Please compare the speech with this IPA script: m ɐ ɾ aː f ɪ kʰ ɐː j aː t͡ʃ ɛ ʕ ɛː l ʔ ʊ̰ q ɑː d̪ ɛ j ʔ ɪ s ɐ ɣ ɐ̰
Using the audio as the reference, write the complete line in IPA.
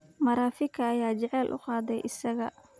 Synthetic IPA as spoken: m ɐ ɾ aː f ɪ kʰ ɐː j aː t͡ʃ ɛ ʕ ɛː l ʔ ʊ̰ q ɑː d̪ ɛ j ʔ ɪ s ɐ ɣ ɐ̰